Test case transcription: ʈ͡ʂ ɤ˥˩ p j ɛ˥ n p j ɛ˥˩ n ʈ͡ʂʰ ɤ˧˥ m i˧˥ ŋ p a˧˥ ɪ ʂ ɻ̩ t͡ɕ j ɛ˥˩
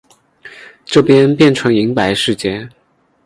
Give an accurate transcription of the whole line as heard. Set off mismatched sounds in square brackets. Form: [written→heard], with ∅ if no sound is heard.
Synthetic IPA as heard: ʈ͡ʂ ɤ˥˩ p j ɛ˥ n p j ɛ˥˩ n ʈ͡ʂʰ ɤ˧˥ [m→ŋ] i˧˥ ŋ p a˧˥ ɪ ʂ ɻ̩ t͡ɕ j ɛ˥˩